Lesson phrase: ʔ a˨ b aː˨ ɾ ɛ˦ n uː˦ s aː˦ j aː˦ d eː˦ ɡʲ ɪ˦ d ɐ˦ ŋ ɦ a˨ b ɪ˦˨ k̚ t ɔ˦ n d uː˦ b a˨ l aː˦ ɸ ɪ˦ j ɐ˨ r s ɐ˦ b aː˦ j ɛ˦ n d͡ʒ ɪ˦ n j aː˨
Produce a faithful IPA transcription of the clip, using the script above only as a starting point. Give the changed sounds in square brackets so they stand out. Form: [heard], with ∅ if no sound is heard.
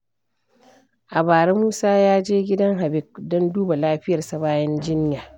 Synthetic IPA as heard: ʔ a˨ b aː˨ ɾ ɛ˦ [m] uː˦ s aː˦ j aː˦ [d͡ʒ] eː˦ ɡʲ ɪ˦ d ɐ˦ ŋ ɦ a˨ b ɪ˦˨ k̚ [d] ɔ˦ n d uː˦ b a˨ l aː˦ ɸ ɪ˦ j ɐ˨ r s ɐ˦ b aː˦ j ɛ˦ n d͡ʒ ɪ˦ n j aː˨